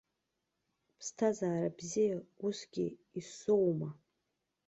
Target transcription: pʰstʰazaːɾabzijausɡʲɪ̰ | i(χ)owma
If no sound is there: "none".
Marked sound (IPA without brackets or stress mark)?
s